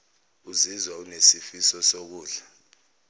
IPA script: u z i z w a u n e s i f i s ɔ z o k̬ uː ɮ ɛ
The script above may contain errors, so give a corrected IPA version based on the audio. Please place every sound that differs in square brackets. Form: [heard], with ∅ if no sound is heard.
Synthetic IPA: u z i z w a u n e s i f i s ɔ [s] o k̬ uː ɮ [a]